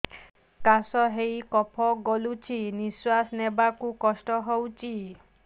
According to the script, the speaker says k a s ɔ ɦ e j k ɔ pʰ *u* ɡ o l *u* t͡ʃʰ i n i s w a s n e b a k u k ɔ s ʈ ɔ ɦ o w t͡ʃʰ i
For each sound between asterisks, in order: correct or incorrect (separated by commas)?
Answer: incorrect, correct